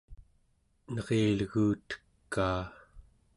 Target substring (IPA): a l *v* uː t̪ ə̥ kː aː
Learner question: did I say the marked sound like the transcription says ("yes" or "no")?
no